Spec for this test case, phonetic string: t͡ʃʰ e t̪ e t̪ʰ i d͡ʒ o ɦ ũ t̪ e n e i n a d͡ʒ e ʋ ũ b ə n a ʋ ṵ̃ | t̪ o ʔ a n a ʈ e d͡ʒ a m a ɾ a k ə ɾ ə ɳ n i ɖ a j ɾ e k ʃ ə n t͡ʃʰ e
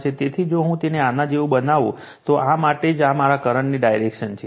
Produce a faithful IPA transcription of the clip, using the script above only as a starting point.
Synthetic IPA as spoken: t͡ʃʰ e t̪ e t̪ʰ i d͡ʒ o ɦ ũ t̪ e n e a n a d͡ʒ e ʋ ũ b ə n a ʋ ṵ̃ | t̪ o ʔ a m a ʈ e d͡ʒ a m a ɾ a k ə ɾ ə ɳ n i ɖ a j ɾ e k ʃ ə n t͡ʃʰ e